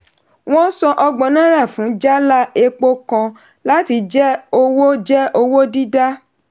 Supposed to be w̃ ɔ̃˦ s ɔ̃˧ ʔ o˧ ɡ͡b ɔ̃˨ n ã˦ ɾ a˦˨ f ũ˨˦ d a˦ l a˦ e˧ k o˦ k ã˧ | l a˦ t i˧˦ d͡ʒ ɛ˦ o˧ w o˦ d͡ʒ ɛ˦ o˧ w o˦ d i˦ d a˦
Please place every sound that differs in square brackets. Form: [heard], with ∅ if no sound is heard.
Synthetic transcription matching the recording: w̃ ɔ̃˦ s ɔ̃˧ ʔ [ɔ˧] ɡ͡b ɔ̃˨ n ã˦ ɾ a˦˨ f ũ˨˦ [d͡ʒ] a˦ l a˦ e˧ [k͡p] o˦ k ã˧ | l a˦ t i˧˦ d͡ʒ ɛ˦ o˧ w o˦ d͡ʒ ɛ˦ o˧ w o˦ d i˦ d a˦